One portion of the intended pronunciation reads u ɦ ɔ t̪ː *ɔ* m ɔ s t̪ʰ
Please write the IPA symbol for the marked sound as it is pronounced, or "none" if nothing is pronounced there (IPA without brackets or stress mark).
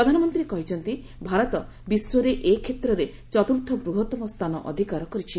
ɔ